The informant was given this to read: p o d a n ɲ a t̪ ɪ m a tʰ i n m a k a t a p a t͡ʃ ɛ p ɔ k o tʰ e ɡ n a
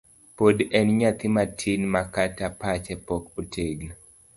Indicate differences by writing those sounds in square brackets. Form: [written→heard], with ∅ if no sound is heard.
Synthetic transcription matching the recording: p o d [a→ɛ] n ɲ a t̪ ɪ m a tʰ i n m a k a t a p a t͡ʃ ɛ p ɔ k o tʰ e ɡ n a